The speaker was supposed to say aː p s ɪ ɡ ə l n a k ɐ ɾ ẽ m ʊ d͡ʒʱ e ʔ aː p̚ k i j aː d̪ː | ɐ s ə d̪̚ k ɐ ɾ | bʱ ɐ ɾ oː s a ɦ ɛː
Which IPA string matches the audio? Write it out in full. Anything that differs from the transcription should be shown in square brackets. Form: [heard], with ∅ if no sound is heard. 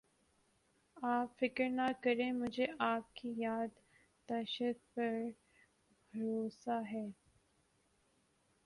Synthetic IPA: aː p [f] ɪ [k] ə [ɾ] n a k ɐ ɾ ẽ m ʊ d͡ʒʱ e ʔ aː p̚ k i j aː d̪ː | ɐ [ʃ] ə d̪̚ [p] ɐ ɾ | bʱ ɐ ɾ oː s a ɦ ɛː